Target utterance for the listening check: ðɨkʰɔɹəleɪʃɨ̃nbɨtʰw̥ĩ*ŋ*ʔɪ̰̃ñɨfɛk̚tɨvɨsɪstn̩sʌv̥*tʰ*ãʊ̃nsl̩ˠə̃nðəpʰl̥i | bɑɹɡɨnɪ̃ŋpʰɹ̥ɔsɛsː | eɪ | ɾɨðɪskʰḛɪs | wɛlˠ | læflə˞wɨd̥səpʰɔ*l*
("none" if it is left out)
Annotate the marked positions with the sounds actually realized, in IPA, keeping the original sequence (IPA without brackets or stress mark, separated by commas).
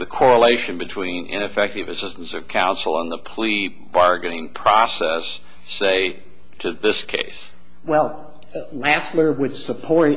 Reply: n, kʰ, ɹ